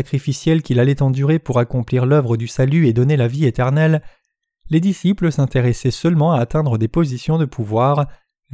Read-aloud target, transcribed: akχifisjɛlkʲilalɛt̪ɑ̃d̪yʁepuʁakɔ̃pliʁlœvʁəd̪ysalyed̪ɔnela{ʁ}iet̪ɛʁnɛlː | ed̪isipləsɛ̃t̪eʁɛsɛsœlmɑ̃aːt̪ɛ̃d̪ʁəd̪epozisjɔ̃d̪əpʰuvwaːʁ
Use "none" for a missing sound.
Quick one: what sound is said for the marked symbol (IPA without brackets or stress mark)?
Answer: v